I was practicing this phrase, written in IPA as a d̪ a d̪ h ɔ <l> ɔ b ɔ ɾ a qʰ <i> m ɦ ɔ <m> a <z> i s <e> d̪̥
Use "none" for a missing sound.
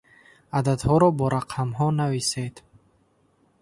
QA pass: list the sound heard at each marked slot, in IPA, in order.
ɾ, a, n, v, e

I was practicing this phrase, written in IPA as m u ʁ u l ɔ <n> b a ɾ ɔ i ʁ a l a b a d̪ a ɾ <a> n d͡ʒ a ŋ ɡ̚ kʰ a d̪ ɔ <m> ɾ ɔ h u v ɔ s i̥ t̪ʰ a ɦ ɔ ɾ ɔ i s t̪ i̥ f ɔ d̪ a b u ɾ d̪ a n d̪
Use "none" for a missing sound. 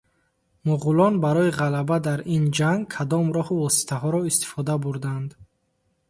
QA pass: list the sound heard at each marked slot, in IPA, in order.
n, i, m

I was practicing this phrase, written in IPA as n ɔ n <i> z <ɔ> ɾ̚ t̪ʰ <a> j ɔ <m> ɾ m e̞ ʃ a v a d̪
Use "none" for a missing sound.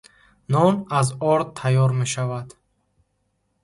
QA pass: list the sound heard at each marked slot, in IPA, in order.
a, ɔ, a, none

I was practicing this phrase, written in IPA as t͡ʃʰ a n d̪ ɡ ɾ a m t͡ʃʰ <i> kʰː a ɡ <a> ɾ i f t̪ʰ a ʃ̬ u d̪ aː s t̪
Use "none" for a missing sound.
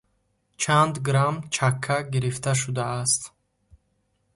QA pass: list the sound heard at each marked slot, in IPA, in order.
a, i

